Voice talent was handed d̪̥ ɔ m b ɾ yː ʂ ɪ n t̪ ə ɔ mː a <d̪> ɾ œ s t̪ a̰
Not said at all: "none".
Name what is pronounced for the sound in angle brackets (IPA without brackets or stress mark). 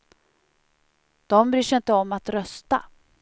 t̪